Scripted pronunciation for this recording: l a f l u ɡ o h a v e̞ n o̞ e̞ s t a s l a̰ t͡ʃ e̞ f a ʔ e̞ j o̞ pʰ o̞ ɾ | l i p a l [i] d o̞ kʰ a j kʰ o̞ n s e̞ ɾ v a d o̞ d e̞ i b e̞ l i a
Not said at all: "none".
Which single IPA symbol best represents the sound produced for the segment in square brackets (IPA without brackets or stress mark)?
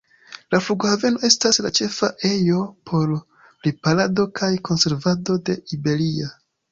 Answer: a